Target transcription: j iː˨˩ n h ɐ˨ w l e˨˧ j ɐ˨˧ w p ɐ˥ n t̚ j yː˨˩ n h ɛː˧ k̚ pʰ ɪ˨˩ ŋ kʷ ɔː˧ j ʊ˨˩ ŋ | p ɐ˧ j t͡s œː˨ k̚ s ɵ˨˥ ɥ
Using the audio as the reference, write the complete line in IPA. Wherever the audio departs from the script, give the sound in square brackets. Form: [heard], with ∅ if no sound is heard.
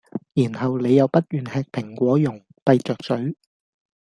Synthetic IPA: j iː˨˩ n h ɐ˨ w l e˨˧ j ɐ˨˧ w p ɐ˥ [∅] t̚ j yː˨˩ n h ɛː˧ k̚ pʰ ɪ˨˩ ŋ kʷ [ɔː˨˥] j ʊ˨˩ ŋ | p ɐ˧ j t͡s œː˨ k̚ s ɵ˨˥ ɥ